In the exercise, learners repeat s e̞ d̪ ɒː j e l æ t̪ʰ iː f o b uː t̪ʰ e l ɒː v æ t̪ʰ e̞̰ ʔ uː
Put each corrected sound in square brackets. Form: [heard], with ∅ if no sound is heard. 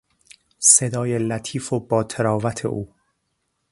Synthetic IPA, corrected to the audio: s e̞ d̪ ɒː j e l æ t̪ʰ iː f o b [ɒː] t̪ʰ e [ɾ] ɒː v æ t̪ʰ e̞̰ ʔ uː

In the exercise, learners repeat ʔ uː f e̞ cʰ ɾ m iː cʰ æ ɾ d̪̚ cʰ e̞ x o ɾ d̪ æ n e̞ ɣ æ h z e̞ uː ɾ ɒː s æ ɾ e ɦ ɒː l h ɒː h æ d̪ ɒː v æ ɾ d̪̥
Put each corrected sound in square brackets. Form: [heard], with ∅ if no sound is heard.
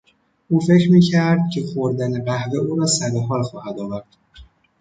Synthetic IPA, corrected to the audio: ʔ uː f e̞ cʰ ɾ m iː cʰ æ ɾ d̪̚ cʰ e̞ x o ɾ d̪ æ n e̞ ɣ æ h [v] e̞ uː ɾ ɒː s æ ɾ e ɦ ɒː l [x] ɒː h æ d̪ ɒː v æ ɾ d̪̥

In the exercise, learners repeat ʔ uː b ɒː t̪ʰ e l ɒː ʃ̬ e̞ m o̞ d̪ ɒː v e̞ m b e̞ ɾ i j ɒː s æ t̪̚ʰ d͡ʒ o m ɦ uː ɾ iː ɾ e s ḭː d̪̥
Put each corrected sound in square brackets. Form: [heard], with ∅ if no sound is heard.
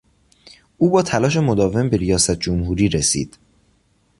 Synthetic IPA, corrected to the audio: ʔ uː b ɒː t̪ʰ [æ] l ɒː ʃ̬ e̞ m o̞ d̪ ɒː v e̞ m b e̞ ɾ i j ɒː s æ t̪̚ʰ d͡ʒ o m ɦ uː ɾ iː ɾ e s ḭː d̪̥

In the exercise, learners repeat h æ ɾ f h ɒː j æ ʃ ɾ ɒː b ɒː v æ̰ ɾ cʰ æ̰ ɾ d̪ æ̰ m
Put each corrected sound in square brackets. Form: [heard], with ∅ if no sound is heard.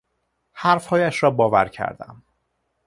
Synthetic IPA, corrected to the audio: h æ ɾ f h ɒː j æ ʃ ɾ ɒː b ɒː v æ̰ ɾ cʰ æ̰ ɾ d̪ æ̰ m

